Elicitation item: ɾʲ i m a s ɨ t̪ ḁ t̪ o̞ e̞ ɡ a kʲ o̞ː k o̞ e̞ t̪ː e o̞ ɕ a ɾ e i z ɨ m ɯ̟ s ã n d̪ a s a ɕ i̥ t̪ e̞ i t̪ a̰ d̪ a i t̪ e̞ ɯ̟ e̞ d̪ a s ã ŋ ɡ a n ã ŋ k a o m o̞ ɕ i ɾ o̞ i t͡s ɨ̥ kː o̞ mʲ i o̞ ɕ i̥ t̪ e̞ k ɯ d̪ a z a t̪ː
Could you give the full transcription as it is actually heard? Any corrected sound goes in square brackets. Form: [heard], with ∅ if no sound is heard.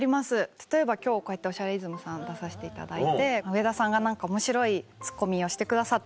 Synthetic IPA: ɾʲ i m a s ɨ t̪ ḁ t̪ o̞ e̞ [b] a kʲ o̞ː k o̞ e̞ t̪ː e o̞ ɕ a ɾ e i z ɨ m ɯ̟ s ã n d̪ a s a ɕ i̥ t̪ e̞ i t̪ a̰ d̪ a i t̪ e̞ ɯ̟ e̞ d̪ a s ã ŋ ɡ a n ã ŋ k a o m o̞ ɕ i ɾ o̞ i t͡s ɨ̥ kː o̞ mʲ i o̞ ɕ i̥ t̪ e̞ k ɯ d̪ a [s] a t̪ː